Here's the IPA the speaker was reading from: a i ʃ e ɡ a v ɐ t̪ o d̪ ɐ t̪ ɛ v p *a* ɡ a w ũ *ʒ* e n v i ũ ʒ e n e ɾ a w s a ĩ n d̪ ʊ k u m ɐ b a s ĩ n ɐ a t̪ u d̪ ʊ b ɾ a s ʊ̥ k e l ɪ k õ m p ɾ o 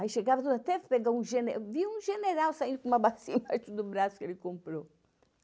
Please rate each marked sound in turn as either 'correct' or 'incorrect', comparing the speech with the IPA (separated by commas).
incorrect, correct